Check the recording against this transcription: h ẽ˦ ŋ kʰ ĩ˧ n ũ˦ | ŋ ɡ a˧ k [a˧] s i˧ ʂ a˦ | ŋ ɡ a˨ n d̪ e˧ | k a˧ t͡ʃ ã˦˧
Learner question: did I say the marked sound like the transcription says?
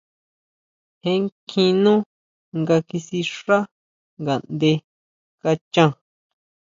no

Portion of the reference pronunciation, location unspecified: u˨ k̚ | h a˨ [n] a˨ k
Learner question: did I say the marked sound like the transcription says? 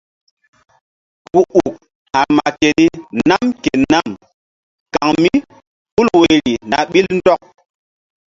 no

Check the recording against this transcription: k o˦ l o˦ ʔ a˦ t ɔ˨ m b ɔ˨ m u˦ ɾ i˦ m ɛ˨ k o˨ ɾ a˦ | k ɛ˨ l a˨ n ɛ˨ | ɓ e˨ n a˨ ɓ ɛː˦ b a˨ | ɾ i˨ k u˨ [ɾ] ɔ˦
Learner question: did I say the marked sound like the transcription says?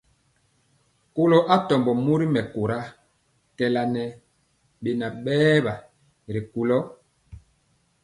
no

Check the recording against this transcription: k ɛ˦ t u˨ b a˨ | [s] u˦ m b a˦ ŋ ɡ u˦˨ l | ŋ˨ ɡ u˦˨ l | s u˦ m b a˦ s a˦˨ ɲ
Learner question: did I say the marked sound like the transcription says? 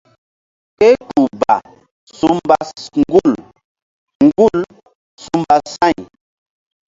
yes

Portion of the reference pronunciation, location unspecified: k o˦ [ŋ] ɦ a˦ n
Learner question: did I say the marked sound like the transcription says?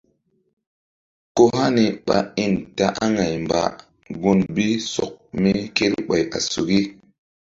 no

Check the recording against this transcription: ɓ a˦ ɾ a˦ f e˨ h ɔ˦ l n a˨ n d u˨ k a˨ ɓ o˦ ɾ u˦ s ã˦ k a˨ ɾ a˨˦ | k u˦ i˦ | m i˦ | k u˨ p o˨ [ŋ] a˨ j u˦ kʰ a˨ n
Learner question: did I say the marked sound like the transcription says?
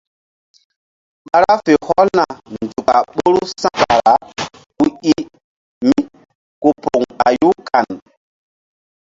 yes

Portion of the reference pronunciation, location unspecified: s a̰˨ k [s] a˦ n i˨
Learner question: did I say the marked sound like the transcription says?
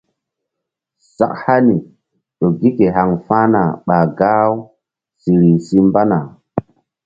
no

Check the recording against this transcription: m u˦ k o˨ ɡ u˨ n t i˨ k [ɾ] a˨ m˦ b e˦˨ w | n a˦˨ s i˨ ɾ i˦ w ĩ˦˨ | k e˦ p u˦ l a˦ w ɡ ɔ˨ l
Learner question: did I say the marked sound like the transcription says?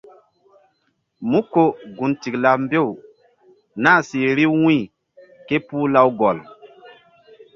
no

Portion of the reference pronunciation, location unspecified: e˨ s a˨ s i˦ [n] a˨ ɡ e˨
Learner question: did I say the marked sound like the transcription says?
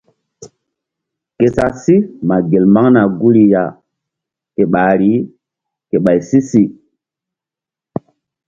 no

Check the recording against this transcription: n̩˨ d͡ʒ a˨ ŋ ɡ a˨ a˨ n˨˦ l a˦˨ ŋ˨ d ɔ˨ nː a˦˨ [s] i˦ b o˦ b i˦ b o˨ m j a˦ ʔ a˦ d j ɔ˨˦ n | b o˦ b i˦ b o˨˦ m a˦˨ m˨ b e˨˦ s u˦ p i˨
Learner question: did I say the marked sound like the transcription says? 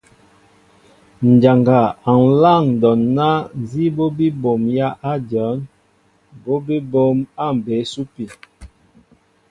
no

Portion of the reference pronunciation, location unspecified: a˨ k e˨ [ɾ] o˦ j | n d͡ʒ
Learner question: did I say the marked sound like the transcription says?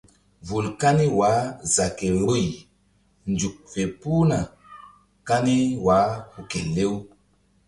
yes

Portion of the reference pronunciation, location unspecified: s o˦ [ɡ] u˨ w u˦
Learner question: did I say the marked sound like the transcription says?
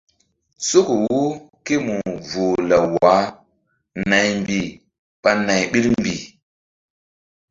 no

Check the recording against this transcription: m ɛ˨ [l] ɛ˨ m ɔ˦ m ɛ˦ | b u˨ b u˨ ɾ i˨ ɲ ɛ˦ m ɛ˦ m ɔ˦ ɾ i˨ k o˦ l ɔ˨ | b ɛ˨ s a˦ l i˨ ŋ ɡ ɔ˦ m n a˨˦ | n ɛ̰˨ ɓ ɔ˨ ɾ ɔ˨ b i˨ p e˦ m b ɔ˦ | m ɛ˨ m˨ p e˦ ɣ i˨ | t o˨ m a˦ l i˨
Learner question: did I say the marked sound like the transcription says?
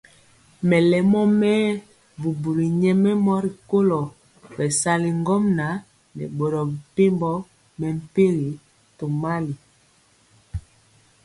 yes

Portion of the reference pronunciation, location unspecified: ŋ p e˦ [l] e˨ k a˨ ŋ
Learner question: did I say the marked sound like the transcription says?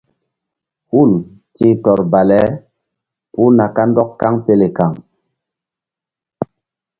yes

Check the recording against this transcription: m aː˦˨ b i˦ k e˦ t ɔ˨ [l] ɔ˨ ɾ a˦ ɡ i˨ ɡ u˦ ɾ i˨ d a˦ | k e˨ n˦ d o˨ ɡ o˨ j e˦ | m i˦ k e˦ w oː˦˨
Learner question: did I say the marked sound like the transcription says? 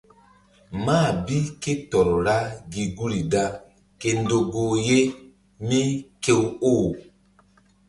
no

